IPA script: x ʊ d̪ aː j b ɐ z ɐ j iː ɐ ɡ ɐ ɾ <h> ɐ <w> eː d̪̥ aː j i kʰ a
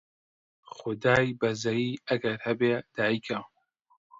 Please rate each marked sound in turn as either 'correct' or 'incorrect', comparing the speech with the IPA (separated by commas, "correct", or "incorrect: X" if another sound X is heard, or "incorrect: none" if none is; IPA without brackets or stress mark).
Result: correct, incorrect: b